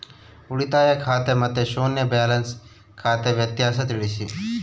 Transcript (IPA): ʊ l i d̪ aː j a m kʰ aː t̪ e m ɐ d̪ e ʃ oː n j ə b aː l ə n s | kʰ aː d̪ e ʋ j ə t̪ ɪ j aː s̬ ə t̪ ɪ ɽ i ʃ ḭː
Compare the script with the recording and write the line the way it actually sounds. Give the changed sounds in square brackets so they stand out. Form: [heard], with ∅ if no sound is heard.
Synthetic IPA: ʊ [ɽ] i [t̪] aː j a [∅] kʰ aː t̪ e m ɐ [t̪] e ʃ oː n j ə b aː l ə n s | kʰ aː [t̪] e ʋ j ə t̪ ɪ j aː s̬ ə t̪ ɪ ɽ i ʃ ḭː